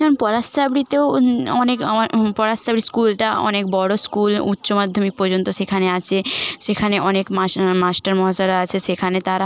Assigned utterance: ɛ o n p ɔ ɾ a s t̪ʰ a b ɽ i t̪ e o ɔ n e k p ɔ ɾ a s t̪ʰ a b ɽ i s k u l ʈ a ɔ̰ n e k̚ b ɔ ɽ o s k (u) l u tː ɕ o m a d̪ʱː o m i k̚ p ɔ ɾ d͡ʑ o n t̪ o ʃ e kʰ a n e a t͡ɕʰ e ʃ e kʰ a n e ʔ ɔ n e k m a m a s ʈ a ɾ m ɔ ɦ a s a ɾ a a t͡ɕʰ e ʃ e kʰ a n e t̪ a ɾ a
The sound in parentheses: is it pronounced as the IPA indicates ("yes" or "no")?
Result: yes